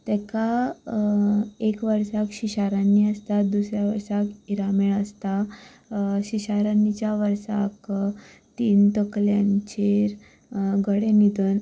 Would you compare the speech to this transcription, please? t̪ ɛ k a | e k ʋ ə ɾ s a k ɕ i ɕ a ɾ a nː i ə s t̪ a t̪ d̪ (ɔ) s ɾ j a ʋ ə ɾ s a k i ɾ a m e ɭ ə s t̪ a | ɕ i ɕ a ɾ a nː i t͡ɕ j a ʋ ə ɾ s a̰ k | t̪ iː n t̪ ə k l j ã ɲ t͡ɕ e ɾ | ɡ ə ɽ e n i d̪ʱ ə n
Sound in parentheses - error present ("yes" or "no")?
yes